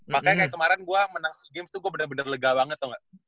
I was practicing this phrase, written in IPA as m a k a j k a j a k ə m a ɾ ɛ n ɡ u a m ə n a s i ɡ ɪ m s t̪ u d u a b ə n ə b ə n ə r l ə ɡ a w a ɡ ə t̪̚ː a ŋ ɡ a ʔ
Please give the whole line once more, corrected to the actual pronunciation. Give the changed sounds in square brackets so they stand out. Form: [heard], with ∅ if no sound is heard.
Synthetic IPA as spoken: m a k a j k a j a k ə m a ɾ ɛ n ɡ u a m ə n a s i ɡ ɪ m s t̪ u [ɡ] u a b ə n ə b ə n ə r l ə ɡ a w a [ŋ] ə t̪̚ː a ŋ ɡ a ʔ